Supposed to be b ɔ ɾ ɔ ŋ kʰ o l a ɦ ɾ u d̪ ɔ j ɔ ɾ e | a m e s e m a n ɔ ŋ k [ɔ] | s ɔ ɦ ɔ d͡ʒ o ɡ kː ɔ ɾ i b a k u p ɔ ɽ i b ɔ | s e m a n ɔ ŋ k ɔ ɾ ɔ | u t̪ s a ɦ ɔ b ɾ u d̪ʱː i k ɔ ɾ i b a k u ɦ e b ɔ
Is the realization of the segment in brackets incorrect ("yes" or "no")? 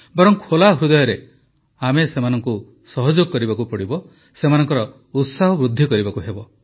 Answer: yes